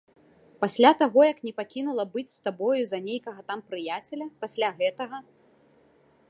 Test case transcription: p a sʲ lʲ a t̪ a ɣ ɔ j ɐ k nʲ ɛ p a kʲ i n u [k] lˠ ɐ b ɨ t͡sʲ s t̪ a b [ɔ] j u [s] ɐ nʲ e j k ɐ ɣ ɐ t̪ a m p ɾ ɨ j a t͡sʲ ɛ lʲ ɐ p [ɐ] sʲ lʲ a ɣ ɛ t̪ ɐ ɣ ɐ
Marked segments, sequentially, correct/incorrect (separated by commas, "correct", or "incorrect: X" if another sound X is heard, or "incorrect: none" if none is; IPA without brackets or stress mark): incorrect: none, correct, incorrect: z, incorrect: a